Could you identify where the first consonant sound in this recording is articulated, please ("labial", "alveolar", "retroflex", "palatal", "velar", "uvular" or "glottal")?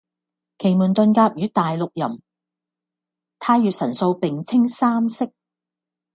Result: velar